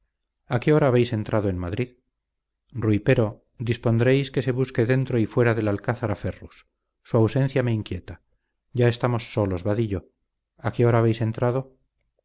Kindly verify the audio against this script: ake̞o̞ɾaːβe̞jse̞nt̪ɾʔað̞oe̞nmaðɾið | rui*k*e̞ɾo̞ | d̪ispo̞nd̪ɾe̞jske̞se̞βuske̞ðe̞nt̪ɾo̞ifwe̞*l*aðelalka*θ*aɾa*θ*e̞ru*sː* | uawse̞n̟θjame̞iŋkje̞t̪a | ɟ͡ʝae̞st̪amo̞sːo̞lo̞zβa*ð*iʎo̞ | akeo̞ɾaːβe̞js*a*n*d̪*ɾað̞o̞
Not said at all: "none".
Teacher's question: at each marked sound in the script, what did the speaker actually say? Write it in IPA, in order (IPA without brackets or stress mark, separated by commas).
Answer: p, ɾ, θ, f, sː, ð, e, t̪